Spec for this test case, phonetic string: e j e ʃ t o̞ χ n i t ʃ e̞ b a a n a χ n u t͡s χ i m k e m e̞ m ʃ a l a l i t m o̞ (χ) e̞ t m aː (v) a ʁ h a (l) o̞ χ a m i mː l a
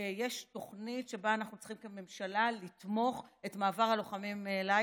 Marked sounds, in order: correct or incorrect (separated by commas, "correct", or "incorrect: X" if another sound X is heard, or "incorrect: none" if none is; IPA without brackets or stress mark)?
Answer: correct, correct, correct